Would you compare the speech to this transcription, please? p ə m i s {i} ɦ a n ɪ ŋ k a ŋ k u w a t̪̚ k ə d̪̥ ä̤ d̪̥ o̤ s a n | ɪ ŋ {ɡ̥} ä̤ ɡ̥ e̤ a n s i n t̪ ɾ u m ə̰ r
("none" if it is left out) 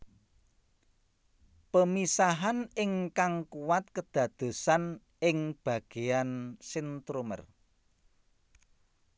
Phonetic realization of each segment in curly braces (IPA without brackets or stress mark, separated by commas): a, b̥